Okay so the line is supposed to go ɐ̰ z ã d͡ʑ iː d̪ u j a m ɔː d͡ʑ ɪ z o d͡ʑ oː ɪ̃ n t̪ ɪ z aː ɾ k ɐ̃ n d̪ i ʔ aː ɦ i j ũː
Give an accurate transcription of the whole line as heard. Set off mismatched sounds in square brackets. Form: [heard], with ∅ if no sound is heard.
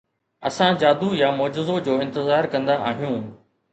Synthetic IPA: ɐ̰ [s] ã d͡ʑ [aː] d̪ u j a m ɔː d͡ʑ ɪ z o d͡ʑ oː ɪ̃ n t̪ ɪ z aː ɾ k ɐ̃ n d̪ [a] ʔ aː ɦ i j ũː